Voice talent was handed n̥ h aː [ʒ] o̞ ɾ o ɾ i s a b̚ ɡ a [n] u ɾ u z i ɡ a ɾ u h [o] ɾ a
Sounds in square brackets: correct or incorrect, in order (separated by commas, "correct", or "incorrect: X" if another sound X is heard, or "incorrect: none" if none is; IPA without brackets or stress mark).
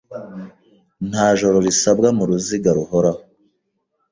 correct, incorrect: m, correct